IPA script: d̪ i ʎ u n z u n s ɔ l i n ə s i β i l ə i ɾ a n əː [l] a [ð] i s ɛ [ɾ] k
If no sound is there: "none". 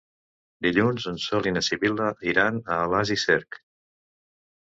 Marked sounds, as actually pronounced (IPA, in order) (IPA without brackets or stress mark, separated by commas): l, z, ɾ